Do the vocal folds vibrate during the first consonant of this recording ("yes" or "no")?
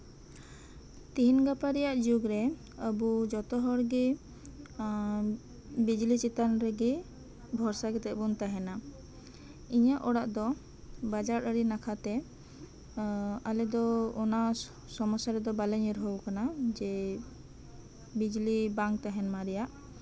no